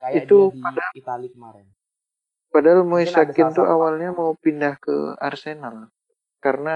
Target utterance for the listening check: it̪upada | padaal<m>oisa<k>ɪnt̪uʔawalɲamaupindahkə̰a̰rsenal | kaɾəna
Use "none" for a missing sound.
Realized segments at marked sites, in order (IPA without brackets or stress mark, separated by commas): m, k